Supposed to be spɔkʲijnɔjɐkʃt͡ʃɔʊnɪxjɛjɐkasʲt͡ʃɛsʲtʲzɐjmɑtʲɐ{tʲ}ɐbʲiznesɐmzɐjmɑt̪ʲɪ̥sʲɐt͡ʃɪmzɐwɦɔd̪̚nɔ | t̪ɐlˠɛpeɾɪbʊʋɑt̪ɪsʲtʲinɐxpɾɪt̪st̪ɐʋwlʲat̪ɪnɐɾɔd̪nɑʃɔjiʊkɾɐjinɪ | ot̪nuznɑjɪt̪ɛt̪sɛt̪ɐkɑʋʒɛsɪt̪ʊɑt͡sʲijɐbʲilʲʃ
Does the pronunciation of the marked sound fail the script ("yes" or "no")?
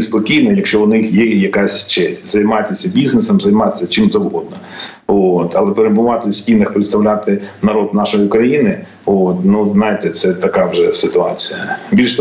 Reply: yes